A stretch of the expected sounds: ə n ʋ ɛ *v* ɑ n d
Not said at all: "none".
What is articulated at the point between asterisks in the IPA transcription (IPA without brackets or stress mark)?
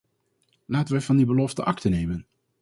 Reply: v